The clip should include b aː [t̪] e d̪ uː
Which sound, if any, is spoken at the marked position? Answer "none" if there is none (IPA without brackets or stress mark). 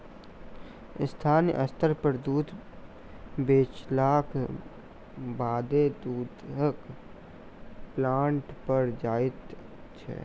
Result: d̪